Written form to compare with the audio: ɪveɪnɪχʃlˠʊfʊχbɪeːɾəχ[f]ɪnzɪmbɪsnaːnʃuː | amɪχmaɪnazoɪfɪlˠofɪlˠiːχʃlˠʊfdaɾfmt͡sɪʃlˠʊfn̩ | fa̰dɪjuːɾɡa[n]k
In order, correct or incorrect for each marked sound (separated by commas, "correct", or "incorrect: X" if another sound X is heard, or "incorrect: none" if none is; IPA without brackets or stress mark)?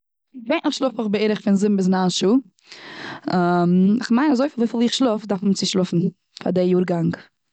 correct, incorrect: ŋ